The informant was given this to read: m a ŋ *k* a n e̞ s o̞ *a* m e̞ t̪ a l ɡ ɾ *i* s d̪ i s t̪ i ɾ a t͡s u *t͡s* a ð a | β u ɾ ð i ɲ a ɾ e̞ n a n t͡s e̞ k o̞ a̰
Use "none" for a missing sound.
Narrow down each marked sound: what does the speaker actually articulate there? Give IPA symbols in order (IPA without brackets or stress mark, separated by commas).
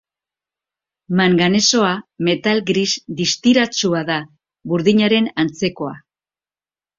ɡ, a, i, none